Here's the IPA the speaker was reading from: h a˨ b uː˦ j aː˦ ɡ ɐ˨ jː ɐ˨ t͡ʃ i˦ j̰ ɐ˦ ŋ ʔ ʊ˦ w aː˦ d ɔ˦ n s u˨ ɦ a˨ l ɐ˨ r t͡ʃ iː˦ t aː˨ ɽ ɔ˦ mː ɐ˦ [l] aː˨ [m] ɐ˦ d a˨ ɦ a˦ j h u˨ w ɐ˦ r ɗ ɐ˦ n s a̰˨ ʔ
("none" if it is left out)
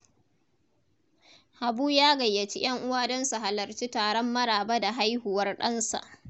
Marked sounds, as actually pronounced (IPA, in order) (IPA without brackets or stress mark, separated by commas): ɽ, b